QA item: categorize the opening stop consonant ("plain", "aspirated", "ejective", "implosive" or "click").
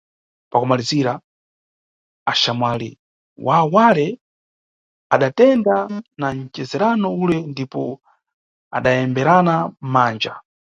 plain